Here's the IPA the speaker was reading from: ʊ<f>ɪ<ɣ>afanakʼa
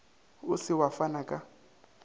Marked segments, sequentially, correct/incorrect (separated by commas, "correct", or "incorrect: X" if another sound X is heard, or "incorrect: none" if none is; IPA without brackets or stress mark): incorrect: s, incorrect: w